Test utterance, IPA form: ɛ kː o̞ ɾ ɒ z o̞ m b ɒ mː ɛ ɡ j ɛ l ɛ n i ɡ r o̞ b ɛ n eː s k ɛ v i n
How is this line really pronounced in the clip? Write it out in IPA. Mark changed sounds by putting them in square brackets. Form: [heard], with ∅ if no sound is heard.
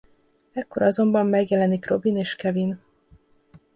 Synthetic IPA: ɛ kː o̞ ɾ ɒ z o̞ m b ɒ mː ɛ ɡ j ɛ l ɛ n i [k] r o̞ b [i] n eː [ʃ] k ɛ v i n